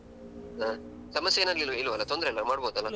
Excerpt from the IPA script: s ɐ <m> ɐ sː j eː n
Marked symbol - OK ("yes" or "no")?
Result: yes